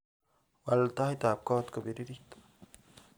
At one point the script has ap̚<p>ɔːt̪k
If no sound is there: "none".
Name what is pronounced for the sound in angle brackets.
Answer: k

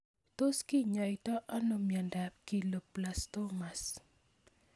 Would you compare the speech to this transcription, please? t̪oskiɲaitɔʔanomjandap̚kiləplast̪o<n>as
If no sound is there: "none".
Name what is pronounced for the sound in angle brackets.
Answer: m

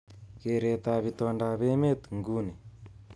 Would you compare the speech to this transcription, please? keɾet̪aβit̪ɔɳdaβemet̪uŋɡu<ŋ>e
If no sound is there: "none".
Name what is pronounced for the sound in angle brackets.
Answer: n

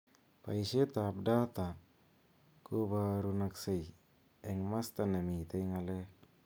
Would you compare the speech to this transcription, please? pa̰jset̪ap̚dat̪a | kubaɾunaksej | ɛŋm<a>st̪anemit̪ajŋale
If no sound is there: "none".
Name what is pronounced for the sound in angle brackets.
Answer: a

